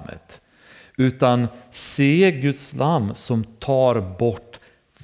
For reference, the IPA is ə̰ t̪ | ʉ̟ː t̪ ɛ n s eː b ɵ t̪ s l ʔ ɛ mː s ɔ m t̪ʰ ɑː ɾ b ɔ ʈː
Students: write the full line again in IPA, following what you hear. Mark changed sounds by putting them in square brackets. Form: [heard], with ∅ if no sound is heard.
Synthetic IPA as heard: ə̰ t̪ | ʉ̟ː t̪ [a] n s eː [ɡ] ɵ t̪ s l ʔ [a] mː s ɔ m t̪ʰ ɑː ɾ b ɔ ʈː